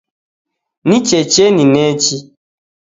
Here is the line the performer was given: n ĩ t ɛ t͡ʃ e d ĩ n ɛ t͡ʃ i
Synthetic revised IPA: n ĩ t͡ʃ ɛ t͡ʃ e n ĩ n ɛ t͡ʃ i